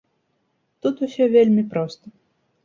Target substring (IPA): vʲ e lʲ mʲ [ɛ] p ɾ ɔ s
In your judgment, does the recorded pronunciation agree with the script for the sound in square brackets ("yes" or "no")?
no